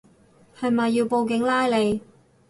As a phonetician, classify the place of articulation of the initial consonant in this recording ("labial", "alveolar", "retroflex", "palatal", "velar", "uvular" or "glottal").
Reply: glottal